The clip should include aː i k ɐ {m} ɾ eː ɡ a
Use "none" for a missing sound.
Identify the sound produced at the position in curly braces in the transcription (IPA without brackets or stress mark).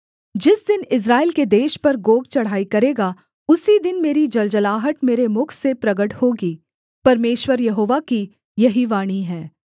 none